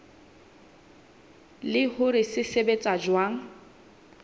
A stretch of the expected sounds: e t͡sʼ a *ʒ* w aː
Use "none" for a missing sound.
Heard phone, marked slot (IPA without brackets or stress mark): d͡ʒ